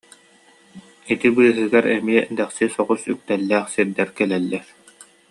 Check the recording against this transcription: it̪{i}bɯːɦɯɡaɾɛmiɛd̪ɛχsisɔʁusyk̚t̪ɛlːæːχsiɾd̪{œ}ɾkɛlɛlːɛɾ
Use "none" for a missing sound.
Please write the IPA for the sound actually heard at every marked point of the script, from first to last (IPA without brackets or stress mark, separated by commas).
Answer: i, ɛ